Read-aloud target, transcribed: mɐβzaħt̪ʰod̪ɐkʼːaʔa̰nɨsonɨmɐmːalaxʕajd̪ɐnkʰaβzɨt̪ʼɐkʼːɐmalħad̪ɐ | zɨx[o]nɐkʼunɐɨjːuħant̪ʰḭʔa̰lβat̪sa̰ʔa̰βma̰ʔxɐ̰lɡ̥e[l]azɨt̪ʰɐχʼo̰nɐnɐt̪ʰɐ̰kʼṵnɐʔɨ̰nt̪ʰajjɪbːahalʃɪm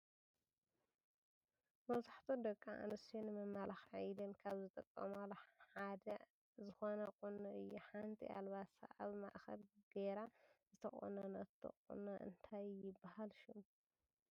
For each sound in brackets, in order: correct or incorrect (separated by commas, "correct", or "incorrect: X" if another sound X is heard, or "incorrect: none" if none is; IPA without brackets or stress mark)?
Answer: correct, incorrect: ɾ